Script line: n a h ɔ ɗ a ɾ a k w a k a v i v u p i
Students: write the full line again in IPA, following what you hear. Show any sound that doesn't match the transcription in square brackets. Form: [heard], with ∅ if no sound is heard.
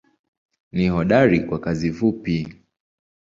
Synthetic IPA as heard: n [i] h ɔ ɗ a ɾ [i] k w a k a [z] i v u p i